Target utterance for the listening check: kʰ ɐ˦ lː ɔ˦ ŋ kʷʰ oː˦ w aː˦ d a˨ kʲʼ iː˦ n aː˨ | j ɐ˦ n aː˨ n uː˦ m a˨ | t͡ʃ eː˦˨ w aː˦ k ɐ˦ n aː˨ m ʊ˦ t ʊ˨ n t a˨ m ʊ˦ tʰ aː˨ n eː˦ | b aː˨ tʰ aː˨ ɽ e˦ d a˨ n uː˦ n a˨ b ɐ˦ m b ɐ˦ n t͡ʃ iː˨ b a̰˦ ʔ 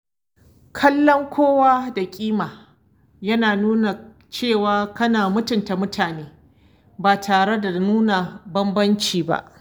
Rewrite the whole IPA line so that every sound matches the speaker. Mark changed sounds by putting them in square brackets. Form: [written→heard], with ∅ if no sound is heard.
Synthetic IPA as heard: kʰ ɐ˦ lː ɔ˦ ŋ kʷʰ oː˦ w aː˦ d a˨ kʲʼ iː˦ [n→m] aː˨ | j ɐ˦ n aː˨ n uː˦ [m→n] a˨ | t͡ʃ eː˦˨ w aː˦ k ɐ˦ n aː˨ m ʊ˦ t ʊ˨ n t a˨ m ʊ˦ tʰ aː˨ n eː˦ | b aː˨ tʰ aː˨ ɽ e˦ d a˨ n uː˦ n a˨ b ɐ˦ m b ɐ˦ n t͡ʃ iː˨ b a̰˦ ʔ